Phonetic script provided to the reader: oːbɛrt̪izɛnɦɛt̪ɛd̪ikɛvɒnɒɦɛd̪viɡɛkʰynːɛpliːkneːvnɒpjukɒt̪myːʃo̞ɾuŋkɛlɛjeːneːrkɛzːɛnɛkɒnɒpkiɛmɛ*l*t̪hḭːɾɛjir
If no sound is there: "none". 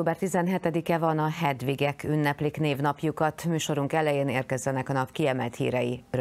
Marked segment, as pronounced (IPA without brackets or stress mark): l